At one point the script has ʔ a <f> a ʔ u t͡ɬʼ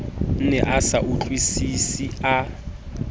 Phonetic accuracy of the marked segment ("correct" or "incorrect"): incorrect